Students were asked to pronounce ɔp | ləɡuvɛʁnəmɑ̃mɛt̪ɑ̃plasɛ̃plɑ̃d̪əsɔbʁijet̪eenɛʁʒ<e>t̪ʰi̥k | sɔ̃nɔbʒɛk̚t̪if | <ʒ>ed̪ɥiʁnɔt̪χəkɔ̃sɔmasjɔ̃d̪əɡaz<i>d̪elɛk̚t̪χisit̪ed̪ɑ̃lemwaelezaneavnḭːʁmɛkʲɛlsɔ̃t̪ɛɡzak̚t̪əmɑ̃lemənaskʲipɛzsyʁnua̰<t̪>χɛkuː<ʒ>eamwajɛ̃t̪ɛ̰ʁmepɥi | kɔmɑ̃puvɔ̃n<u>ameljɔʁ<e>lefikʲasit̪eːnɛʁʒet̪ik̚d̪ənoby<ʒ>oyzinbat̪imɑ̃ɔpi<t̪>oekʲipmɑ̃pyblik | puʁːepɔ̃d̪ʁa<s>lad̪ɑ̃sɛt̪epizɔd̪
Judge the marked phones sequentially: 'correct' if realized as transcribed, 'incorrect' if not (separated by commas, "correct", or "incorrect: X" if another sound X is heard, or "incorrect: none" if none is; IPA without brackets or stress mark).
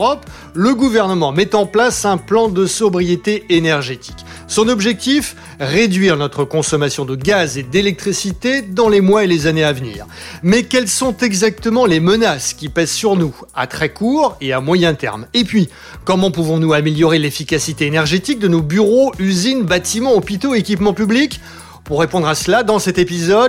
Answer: correct, incorrect: ʁ, incorrect: e, correct, incorrect: ʁ, correct, correct, incorrect: ʁ, correct, correct